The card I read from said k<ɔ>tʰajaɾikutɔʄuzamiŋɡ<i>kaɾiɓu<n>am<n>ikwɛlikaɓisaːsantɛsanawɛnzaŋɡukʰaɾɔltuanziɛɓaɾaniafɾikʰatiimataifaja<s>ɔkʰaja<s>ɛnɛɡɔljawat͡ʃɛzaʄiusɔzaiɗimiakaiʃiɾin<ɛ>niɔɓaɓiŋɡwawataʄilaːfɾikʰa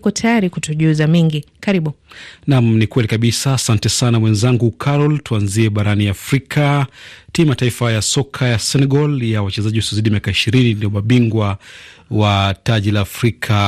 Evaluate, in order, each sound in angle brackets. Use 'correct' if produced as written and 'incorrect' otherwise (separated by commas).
correct, correct, correct, correct, correct, correct, incorrect